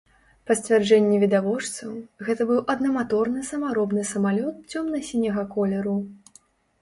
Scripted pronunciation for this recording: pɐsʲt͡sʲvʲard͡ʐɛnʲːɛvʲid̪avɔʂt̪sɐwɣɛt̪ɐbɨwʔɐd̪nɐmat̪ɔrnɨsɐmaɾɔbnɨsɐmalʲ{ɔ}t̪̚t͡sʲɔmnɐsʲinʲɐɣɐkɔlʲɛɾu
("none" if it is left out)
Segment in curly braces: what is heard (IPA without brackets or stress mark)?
ɔ